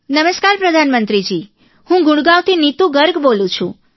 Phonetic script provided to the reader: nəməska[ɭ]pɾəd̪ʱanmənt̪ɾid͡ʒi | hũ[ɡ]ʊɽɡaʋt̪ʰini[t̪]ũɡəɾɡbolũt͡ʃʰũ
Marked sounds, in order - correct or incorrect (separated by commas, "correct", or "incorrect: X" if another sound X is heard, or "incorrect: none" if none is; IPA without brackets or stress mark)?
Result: incorrect: ɾ, correct, correct